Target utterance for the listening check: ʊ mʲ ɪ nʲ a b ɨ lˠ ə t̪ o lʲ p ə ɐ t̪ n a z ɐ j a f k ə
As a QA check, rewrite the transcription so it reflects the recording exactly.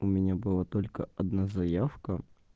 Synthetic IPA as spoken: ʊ mʲ ɪ nʲ a b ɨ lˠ a t̪ o lʲ k ə ɐ d̪ n a z ɐ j a f k ə